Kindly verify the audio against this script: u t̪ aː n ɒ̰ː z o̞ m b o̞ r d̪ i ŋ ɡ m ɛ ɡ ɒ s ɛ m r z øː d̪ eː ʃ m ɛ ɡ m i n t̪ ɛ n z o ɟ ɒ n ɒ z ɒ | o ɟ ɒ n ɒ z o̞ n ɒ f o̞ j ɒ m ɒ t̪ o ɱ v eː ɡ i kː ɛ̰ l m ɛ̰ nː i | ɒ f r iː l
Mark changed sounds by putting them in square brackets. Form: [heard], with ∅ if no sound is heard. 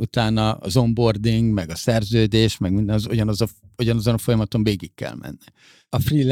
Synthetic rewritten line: u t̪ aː n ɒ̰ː z o̞ m b o̞ r d̪ i ŋ ɡ m ɛ ɡ ɒ s ɛ [∅] r z øː d̪ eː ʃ m ɛ ɡ m i n [d̪] ɛ n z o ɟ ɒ n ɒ z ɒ | o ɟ ɒ n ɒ z o̞ n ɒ f o̞ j ɒ m ɒ t̪ o ɱ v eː ɡ i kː ɛ̰ l m ɛ̰ nː i | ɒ f r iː l